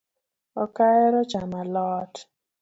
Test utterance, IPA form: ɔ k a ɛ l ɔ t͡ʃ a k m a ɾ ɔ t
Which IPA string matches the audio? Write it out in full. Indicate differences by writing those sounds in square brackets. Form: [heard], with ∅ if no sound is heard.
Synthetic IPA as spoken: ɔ k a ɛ [ɾ] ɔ t͡ʃ a [∅] m a [l] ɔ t